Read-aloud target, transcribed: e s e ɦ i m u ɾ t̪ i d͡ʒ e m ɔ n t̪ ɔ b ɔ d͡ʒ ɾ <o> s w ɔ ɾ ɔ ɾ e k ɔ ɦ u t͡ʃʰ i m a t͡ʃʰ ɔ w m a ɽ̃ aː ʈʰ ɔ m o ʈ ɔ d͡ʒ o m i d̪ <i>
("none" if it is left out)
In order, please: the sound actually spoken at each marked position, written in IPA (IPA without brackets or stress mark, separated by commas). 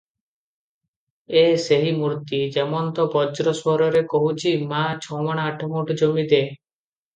ɔ, e